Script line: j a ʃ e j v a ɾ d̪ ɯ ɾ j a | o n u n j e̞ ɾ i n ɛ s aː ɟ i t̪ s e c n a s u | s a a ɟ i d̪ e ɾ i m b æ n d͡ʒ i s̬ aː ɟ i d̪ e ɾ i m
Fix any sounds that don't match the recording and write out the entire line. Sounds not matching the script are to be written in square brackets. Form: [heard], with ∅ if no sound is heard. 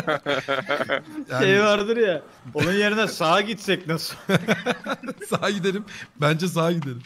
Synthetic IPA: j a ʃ e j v a ɾ d̪ ɯ ɾ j a | o n u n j e̞ ɾ i n ɛ s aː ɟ i t̪ s [ɛ] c n a s [ɯ] | s a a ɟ i d̪ e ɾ i m b æ n d͡ʒ [ɛ] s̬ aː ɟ i d̪ e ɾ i m